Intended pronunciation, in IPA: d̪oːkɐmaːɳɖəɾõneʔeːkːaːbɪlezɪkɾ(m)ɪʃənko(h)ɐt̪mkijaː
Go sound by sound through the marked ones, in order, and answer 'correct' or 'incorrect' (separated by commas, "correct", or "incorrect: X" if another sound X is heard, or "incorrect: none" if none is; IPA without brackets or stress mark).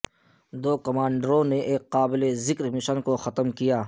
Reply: correct, incorrect: x